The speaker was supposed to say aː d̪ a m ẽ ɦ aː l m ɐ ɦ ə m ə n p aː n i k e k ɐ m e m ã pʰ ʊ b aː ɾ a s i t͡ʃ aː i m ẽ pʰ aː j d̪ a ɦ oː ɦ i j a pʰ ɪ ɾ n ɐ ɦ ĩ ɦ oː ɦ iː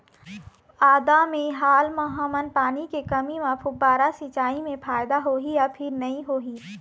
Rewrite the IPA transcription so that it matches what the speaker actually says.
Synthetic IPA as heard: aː d̪ a m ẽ ɦ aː l m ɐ ɦ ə m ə n p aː n i k e k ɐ m i m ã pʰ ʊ b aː ɾ a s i t͡ʃ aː i m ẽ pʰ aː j d̪ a ɦ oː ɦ i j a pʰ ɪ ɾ n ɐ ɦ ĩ ɦ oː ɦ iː